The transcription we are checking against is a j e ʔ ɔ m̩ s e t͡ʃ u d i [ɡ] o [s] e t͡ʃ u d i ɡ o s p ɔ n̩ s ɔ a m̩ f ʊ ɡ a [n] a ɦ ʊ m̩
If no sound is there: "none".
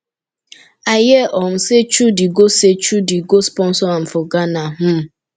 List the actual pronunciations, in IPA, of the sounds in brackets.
ɡ, s, n

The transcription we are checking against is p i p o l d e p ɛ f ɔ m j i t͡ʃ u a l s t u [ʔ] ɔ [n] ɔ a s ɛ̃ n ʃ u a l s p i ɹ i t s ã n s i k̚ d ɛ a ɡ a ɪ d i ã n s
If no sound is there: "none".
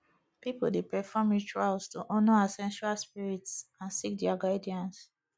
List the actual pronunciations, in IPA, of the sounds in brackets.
ʔ, n

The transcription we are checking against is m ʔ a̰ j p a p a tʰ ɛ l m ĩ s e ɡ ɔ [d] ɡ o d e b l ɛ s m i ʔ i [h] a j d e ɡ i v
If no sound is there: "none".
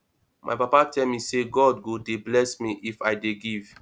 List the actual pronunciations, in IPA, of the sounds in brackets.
d, f

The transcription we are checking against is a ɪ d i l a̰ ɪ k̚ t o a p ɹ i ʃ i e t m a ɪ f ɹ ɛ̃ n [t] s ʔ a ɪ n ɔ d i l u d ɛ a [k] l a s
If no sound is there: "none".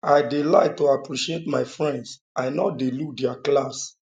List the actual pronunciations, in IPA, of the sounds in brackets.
d, k

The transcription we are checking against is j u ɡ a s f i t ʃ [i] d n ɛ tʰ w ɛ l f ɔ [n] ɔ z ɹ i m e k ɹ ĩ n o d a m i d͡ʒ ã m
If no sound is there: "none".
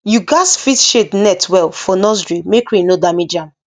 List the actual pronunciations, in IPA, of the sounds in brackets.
e, n

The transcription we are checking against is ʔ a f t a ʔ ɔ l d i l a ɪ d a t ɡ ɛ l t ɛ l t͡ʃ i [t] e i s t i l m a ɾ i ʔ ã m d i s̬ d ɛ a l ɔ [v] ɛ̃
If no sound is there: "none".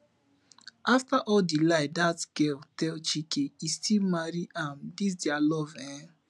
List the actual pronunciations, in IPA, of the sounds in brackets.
k, v

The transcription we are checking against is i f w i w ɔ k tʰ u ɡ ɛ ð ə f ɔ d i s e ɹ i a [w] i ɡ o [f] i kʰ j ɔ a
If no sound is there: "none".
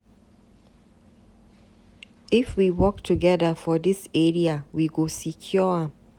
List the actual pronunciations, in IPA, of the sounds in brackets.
w, s

